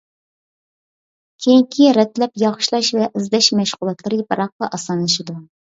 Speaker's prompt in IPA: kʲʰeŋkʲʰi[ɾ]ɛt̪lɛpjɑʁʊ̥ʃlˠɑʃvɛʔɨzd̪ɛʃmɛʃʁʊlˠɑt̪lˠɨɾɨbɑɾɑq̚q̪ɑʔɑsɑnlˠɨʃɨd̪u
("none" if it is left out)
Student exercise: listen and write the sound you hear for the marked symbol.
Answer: ɾ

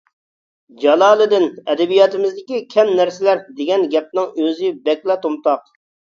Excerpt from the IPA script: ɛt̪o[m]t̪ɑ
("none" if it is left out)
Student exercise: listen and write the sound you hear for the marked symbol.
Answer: m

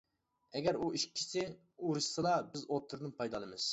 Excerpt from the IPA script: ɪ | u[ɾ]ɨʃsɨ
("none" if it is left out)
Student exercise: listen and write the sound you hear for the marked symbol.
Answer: ɾ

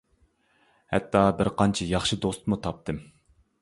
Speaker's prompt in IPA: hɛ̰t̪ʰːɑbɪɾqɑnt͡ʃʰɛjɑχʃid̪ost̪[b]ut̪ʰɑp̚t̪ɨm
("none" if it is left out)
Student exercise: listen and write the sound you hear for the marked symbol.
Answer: m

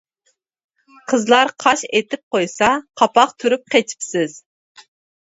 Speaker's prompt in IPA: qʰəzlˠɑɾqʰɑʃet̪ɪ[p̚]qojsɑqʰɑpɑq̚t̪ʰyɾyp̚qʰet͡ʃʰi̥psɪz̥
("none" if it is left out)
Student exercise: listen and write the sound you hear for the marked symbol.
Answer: p̚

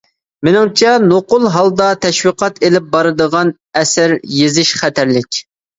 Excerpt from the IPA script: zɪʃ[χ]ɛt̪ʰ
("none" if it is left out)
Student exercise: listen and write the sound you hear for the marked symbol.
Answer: χ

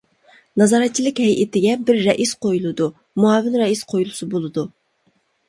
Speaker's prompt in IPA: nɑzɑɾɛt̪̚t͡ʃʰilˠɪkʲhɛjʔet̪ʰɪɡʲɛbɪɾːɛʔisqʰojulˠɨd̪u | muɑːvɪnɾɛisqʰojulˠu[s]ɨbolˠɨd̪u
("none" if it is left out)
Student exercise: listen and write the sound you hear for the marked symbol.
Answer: s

